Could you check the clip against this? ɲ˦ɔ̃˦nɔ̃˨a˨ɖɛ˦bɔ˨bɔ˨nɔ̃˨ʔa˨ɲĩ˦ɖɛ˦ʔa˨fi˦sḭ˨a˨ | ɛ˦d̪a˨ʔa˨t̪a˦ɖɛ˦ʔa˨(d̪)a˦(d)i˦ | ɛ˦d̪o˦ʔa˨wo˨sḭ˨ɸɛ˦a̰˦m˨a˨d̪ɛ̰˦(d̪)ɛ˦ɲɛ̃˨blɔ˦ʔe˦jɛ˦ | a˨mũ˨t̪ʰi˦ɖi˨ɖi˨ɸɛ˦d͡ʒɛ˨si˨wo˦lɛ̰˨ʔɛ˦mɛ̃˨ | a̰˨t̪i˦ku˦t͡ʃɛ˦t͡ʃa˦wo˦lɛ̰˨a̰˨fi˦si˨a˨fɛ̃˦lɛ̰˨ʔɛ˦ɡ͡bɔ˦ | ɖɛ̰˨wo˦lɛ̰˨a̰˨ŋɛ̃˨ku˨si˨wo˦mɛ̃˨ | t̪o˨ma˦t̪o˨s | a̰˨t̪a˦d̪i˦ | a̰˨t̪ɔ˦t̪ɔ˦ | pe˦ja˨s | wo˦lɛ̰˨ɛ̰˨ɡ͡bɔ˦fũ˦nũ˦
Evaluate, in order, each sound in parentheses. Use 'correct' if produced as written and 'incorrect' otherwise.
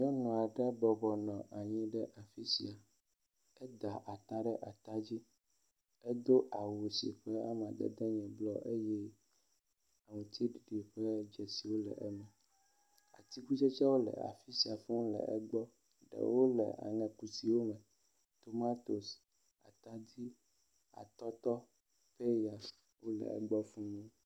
incorrect, incorrect, correct

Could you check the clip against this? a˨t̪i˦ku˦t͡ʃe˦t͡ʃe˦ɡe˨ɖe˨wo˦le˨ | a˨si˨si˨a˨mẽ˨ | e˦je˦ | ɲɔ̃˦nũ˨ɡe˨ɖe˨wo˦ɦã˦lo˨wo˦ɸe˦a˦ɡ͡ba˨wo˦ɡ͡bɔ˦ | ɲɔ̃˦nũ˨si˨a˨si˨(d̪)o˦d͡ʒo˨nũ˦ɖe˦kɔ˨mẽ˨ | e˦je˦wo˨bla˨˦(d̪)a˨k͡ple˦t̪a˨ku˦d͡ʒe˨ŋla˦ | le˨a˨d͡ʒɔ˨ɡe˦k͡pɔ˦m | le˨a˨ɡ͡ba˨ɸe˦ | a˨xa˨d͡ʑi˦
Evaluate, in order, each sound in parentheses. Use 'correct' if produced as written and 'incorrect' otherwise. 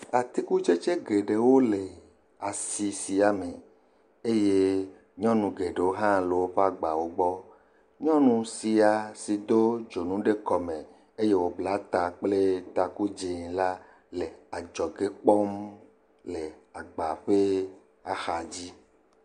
correct, incorrect

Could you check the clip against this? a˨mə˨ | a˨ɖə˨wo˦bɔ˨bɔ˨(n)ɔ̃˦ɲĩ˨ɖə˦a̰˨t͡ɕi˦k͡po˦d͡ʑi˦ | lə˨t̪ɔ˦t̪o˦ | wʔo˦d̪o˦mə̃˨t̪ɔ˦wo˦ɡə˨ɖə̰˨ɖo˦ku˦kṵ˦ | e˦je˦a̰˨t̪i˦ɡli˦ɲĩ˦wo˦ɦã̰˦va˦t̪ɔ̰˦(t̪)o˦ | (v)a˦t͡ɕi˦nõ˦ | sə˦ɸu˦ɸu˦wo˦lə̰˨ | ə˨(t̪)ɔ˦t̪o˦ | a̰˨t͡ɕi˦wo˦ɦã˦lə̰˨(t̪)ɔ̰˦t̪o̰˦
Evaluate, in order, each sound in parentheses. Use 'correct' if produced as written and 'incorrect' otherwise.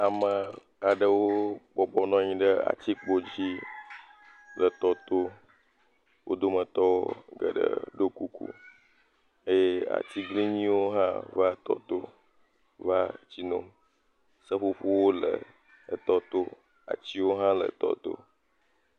correct, correct, correct, correct, correct

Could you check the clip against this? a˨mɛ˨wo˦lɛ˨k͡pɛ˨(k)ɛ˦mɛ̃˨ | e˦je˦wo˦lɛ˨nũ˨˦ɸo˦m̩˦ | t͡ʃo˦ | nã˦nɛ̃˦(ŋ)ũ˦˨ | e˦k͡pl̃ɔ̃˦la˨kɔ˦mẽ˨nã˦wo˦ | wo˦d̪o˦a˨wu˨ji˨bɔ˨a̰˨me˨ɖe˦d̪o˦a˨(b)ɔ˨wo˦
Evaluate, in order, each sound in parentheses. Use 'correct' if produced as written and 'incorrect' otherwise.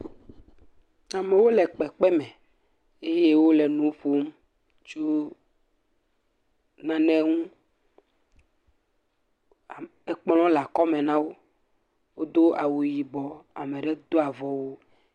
incorrect, correct, incorrect

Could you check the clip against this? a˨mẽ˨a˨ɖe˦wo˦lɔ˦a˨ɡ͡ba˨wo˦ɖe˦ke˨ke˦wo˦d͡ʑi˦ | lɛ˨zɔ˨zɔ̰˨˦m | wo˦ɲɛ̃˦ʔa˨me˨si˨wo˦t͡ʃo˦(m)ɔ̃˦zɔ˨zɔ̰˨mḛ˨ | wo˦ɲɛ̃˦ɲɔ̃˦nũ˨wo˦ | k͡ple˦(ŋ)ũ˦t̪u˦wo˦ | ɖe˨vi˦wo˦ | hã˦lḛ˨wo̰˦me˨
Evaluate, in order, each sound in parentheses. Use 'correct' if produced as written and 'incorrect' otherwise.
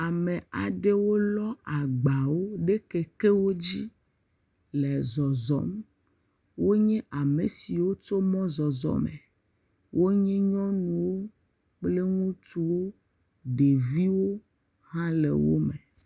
correct, correct

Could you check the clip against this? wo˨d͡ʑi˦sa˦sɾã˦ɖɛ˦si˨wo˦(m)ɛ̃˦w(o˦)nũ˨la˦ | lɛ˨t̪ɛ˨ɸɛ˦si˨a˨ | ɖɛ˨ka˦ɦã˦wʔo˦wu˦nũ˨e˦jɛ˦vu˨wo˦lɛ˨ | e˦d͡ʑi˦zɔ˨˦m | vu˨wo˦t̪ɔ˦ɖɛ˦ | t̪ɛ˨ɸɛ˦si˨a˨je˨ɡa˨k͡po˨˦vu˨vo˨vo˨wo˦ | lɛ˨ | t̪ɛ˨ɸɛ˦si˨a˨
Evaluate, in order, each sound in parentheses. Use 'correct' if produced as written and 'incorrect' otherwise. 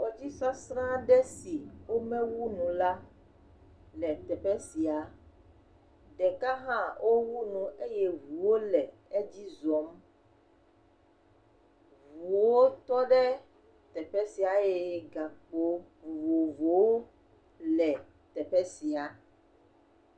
correct, incorrect

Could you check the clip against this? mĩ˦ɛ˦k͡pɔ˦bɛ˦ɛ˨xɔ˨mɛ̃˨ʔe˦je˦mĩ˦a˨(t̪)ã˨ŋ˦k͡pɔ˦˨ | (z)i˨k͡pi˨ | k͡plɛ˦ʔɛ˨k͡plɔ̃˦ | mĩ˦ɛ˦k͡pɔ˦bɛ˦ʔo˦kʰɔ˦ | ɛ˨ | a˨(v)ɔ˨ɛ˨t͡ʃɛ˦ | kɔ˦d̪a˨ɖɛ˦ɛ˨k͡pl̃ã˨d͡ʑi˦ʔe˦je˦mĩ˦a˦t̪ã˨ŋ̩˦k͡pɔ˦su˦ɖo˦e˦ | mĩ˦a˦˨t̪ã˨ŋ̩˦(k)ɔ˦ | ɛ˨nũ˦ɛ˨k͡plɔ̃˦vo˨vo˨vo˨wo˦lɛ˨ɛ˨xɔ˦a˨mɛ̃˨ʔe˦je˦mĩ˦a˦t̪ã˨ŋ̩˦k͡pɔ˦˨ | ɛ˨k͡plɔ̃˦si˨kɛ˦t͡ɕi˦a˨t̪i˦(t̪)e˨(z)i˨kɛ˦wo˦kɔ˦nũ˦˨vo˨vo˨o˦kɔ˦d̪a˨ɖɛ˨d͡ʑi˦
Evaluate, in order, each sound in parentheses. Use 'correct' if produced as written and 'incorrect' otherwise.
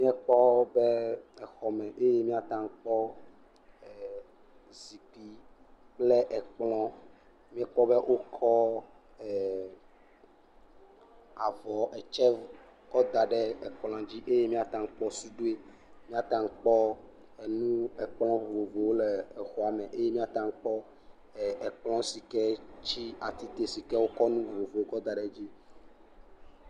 correct, correct, correct, incorrect, correct, incorrect

